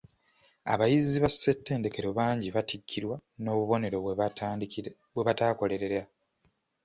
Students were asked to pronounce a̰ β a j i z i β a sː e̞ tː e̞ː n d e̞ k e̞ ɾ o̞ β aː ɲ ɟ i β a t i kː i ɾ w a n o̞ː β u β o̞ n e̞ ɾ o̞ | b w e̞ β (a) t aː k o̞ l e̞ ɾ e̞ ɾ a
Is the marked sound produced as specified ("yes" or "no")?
yes